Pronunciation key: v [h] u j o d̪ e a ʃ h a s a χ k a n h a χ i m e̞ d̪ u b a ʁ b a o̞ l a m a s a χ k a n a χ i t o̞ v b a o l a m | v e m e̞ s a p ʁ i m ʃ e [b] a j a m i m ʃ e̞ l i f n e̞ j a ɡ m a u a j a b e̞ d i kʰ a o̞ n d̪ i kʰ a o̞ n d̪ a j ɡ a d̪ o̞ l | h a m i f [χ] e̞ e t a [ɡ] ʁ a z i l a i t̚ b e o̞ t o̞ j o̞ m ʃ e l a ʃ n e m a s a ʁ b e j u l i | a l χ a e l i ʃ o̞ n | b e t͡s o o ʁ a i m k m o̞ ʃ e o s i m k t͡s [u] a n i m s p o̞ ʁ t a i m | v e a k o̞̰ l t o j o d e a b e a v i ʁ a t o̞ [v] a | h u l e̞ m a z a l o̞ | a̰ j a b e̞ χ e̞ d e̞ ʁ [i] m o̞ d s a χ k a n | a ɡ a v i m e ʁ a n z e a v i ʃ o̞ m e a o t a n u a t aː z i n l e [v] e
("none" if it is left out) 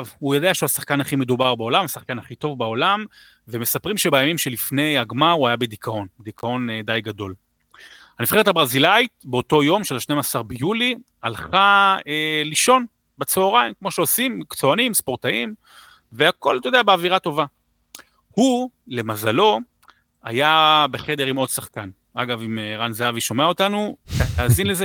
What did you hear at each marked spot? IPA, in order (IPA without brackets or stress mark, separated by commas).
h, b, χ, b, o, v, i, z